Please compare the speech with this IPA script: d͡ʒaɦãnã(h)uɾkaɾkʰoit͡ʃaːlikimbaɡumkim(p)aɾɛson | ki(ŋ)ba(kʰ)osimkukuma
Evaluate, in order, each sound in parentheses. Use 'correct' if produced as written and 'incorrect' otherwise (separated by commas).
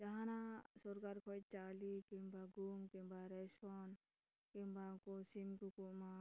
incorrect, incorrect, incorrect, incorrect